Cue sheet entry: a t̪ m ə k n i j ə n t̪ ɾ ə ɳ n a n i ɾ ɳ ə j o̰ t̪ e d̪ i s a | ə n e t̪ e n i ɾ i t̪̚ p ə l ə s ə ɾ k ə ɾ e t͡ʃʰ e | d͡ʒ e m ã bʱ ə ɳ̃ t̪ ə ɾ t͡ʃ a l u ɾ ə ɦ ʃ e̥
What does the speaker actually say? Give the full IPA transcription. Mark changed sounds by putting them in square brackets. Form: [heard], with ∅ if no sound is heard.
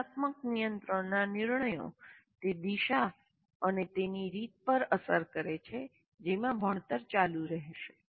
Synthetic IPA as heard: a t̪ m ə k n i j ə n t̪ ɾ ə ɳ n a n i ɾ ɳ ə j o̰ t̪ e d̪ i [ʃ] a | ə n e t̪ e n i ɾ i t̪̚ p ə [ɾ] ə s ə ɾ k ə ɾ e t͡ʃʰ e | d͡ʒ e m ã bʱ ə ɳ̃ t̪ ə ɾ t͡ʃ a l u ɾ ə ɦ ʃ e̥